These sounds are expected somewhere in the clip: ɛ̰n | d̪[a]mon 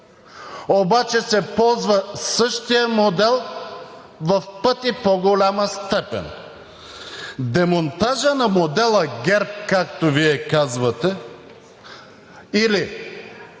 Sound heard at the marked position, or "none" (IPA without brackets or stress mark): ɛ